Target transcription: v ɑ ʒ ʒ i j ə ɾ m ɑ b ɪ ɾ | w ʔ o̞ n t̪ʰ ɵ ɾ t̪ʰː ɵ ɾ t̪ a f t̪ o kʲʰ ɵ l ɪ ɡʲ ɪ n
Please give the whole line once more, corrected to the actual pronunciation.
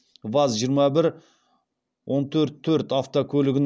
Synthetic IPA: v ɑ z ʒ i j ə ɾ m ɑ b ɪ ɾ | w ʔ o̞ n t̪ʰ ɵ ɾ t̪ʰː ɵ ɾ t̪ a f t̪ o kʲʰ ɵ l ɪ ɡʲ ɪ n